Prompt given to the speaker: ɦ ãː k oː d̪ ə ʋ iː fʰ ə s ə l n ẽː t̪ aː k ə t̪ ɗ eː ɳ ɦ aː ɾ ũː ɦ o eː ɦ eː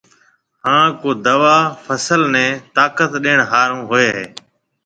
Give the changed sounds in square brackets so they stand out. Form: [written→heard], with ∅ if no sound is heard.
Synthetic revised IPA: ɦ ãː k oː d̪ ə ʋ [iː→aː] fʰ ə s ə l n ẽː t̪ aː k ə t̪ ɗ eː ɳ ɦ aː ɾ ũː ɦ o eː ɦ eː